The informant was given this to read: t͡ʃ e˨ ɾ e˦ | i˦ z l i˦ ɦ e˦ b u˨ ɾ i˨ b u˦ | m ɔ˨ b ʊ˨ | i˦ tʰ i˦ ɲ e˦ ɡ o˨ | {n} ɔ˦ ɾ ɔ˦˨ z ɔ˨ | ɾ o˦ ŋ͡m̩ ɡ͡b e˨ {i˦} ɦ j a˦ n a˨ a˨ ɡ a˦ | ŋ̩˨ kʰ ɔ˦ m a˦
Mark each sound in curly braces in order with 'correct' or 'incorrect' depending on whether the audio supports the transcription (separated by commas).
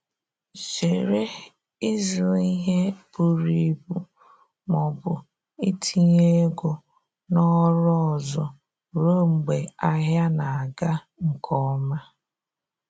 correct, incorrect